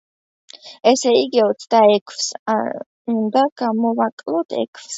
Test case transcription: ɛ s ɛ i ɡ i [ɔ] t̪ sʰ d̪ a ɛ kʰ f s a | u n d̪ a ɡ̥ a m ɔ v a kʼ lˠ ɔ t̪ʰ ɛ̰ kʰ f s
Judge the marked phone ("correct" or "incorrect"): correct